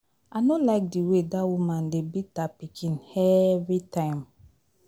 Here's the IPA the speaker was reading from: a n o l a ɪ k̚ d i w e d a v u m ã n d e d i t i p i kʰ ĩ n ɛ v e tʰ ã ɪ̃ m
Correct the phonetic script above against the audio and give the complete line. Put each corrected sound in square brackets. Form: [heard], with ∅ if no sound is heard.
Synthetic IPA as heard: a n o l a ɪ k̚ d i w e d a [w] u m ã n d e [b] i t [a] p i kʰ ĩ n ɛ v [i] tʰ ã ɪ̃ m